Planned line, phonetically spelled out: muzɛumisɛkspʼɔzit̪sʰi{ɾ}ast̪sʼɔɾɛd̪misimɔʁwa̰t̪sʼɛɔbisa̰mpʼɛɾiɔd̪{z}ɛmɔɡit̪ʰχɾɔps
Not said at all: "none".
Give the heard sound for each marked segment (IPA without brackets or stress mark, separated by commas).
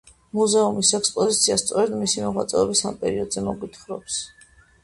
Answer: none, z